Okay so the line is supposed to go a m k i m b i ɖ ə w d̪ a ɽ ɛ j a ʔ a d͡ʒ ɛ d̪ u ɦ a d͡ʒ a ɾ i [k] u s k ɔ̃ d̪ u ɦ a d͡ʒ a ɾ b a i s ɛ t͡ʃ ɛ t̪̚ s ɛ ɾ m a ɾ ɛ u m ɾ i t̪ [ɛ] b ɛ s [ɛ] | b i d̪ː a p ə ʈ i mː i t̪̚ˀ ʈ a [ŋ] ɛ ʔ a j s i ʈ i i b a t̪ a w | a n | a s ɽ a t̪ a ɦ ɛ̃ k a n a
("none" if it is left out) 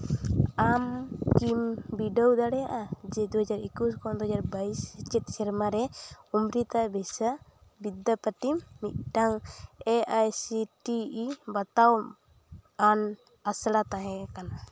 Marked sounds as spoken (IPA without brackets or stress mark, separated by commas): k, a, a, ŋ